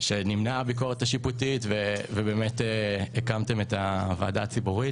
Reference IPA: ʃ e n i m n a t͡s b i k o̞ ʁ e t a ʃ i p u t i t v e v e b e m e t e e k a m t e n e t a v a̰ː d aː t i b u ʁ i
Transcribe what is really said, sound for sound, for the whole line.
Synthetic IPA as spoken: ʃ e n i m n a b i k o̞ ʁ e t a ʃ i p u t i t v e v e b e m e t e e k a m t e m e t a v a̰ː d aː t͡s i b u ʁ i